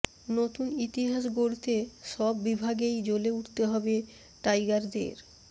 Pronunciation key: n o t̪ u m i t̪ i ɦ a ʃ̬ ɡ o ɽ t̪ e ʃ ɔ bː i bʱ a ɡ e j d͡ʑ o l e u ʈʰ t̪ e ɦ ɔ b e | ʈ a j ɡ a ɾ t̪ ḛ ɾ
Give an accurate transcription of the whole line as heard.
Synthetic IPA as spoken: n o t̪ u n i t̪ i ɦ a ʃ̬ ɡ o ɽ t̪ e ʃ ɔ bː i bʱ a ɡ e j d͡ʑ o l e u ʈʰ t̪ e ɦ ɔ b e | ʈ a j ɡ a ɾ d̪ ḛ ɾ

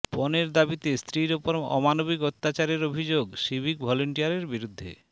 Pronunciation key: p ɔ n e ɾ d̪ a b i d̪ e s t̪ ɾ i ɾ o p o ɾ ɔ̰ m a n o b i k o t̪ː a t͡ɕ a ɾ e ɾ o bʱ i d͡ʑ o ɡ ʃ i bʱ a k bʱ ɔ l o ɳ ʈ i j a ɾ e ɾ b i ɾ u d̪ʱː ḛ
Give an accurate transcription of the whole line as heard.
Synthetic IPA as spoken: p ɔ n e ɾ d̪ a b i t̪ e s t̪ ɾ i ɾ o p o ɾ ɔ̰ m a n o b i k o t̪ː a t͡ɕ a ɾ e ɾ o bʱ i d͡ʑ o ɡ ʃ i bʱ i k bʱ ɔ l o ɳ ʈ i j a ɾ e ɾ b i ɾ u d̪ʱː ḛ

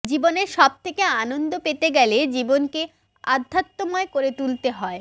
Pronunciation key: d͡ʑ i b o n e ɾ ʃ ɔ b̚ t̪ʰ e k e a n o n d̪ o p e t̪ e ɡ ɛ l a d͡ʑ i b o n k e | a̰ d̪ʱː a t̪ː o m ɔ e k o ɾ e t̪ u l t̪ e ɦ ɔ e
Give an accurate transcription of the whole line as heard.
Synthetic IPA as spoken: d͡ʑ i b o n e ɾ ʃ ɔ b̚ t̪ʰ e k e a n o n d̪ o p e t̪ e ɡ ɛ l e d͡ʑ i b o n k e | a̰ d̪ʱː a t̪ː o m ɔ e k o ɾ e t̪ u l t̪ e ɦ ɔ e

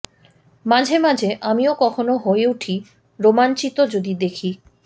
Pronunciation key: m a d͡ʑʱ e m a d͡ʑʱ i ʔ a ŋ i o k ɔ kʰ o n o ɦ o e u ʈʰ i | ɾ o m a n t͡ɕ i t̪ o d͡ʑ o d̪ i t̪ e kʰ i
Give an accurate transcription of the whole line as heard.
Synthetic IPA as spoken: m a d͡ʑʱ e m a d͡ʑʱ e ʔ a m i o k ɔ kʰ o n o ɦ o e u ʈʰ i | ɾ o m a n t͡ɕ i t̪ o d͡ʑ o d̪ i d̪ e kʰ i

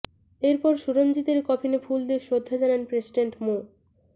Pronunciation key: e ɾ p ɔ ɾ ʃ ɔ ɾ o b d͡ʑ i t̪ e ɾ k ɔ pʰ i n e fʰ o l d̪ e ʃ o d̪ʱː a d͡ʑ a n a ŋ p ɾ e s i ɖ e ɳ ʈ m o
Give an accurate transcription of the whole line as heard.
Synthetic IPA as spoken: e ɾ p ɔ ɾ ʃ u ɾ o m d͡ʑ i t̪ e ɾ k ɔ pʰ i n e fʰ u l d̪ e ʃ o d̪ʱː a d͡ʑ a n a n p ɾ e s i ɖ e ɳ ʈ m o

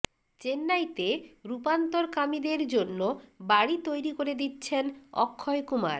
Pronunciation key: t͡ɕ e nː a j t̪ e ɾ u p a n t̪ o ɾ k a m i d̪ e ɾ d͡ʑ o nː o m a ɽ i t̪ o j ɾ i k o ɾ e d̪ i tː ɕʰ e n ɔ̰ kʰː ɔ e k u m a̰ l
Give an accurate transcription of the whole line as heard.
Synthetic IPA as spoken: t͡ɕ e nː a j t̪ e ɾ u p a n t̪ o ɾ k a m i d̪ e ɾ d͡ʑ o nː o b a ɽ i t̪ o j ɾ i k o ɾ e d̪ i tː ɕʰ e n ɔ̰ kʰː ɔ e k u m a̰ ɾ

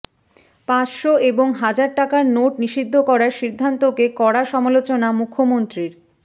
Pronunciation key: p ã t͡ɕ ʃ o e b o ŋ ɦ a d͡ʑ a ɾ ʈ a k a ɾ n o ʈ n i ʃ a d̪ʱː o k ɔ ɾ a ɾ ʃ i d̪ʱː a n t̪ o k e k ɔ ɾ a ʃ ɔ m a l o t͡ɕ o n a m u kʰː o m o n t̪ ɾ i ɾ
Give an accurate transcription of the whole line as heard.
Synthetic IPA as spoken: p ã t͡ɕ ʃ o e b o ŋ ɦ a d͡ʑ a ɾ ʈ a k a ɾ n o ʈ n i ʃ i d̪ʱː o k ɔ ɾ a ɾ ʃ i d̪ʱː a n t̪ o k e k ɔ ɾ a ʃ ɔ m a l o t͡ɕ o n a m u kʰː o m o n t̪ ɾ i ɾ

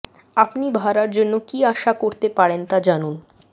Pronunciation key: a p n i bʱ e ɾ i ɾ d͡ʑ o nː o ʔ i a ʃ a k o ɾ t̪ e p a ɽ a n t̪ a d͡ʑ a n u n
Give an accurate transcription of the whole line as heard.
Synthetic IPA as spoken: a p n i bʱ a ɾ a ɾ d͡ʑ o nː o k i a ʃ a k o ɾ t̪ e p a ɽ e n t̪ a d͡ʑ a n u n

